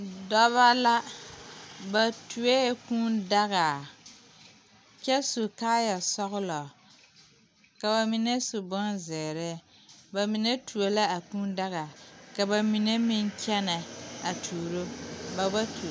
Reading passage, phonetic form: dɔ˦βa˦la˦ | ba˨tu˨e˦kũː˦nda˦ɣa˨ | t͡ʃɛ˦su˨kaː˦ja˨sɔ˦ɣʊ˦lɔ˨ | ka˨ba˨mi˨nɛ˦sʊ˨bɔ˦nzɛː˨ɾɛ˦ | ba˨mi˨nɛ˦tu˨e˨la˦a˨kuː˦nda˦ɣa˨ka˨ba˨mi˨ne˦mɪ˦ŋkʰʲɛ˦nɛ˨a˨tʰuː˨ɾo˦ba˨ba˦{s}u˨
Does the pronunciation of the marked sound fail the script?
yes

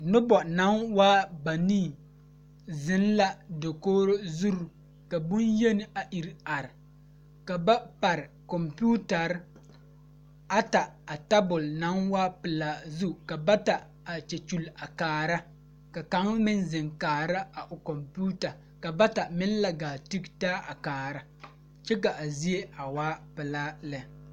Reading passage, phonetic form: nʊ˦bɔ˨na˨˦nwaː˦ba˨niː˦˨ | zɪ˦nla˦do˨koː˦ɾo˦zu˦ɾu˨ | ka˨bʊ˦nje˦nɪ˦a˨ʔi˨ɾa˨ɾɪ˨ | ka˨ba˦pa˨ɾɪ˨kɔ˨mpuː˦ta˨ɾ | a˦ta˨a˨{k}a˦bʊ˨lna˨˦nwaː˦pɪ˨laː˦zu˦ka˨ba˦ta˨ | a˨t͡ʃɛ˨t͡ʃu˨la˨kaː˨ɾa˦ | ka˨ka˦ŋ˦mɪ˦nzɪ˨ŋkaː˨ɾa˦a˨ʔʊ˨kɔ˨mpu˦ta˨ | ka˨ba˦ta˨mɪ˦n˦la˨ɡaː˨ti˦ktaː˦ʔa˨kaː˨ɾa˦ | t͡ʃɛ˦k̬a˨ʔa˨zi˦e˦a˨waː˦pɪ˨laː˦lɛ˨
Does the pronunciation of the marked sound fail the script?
yes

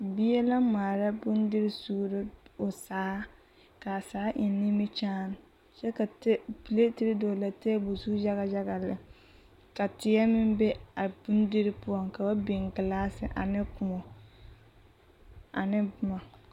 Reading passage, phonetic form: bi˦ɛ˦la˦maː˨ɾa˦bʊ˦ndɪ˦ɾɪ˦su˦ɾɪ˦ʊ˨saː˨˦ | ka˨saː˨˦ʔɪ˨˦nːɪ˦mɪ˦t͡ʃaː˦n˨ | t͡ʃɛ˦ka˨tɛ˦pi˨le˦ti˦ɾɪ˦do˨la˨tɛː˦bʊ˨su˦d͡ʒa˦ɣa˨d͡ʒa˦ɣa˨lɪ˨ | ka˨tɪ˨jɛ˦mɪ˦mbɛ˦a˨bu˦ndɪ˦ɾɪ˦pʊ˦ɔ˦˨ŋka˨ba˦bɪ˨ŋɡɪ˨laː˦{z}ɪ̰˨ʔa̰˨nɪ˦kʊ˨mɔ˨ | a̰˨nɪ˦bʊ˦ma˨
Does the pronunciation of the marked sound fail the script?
yes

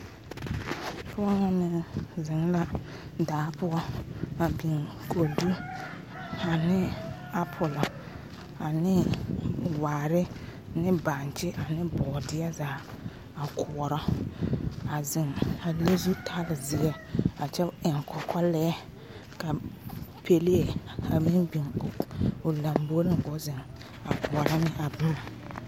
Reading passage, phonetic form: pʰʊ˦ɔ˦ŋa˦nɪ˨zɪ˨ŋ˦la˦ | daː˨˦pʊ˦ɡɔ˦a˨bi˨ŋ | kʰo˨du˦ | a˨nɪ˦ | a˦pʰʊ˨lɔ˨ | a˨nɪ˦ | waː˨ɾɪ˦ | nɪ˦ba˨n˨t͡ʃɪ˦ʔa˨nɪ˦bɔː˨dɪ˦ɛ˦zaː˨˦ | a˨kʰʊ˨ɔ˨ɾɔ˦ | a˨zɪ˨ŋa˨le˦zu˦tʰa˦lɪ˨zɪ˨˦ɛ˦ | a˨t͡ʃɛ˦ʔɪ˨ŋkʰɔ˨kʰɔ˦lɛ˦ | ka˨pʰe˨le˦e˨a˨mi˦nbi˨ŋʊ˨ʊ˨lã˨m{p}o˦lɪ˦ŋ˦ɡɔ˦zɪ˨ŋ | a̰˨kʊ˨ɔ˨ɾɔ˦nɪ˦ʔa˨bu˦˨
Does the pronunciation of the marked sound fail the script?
yes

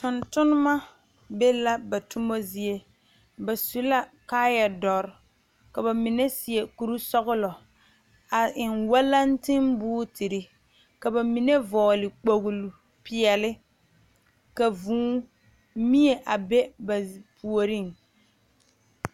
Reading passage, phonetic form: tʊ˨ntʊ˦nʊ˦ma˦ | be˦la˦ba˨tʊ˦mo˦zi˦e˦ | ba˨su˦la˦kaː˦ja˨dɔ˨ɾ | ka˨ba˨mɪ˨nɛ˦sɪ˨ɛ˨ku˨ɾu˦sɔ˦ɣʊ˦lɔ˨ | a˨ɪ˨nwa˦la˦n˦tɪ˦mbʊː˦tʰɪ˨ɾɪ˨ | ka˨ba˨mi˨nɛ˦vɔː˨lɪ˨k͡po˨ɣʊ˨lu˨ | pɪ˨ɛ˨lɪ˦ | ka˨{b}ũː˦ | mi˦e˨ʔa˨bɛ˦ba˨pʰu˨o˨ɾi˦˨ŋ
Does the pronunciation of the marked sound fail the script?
yes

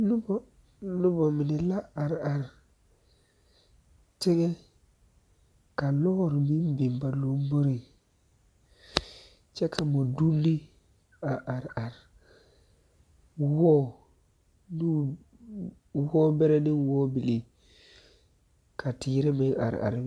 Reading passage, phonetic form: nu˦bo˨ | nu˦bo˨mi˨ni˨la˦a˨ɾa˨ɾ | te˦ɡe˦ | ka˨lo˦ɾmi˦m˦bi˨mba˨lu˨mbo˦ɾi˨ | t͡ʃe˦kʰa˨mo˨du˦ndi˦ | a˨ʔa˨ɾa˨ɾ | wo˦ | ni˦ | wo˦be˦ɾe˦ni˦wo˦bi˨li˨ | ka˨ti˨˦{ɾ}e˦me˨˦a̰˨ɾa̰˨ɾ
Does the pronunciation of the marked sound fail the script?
no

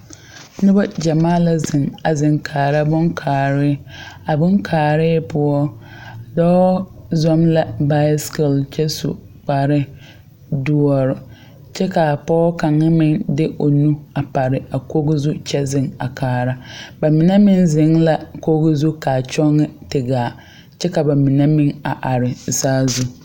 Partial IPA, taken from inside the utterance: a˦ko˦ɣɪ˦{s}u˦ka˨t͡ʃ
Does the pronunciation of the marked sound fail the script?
yes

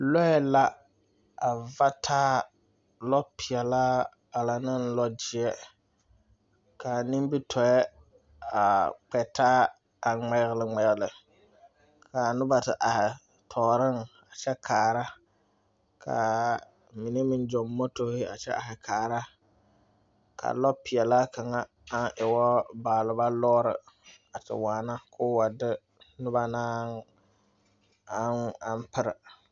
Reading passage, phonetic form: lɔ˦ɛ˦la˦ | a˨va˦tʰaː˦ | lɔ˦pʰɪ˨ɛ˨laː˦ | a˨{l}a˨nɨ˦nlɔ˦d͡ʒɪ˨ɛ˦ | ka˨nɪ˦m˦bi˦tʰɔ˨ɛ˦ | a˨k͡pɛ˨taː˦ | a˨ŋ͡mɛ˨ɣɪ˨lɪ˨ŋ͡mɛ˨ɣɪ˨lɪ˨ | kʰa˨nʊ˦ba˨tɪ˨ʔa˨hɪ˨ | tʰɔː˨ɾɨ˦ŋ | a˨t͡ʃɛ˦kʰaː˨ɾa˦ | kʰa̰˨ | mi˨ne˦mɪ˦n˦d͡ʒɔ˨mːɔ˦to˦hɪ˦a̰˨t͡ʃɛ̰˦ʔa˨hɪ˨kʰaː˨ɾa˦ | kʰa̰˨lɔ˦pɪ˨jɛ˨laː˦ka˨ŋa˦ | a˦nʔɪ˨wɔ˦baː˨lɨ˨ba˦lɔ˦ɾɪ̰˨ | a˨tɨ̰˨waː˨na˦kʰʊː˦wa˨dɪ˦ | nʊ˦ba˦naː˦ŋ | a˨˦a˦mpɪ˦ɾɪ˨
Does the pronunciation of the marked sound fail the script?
no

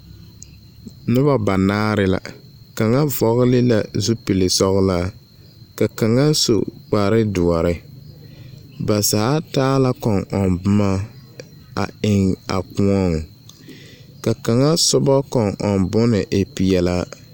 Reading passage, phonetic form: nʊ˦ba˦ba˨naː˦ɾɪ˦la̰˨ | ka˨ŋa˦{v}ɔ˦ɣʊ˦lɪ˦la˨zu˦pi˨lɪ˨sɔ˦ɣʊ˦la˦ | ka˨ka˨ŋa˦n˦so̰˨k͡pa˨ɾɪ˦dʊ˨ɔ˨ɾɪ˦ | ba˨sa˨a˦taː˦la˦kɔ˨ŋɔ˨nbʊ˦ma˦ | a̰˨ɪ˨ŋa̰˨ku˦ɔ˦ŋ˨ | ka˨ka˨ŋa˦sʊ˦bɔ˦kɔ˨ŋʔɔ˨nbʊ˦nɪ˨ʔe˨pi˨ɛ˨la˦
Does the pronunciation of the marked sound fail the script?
no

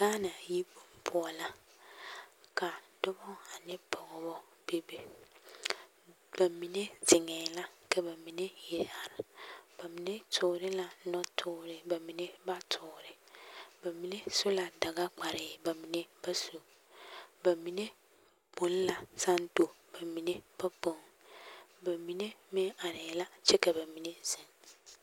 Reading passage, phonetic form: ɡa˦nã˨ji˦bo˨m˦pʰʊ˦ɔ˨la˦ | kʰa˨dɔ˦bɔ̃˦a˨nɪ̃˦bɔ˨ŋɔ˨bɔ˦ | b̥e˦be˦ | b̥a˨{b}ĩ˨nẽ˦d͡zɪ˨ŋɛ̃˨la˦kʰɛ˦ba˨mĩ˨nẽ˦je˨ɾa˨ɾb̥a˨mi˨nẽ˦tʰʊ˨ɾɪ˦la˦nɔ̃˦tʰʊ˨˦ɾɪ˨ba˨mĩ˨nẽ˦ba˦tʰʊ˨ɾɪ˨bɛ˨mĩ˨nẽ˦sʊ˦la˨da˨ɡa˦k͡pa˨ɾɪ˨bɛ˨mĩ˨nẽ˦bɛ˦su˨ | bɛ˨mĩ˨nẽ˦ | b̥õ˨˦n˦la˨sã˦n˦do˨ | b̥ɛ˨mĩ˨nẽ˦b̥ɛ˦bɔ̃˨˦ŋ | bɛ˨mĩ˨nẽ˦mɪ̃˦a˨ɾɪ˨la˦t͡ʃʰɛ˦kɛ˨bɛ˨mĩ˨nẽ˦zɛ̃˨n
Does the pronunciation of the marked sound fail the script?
yes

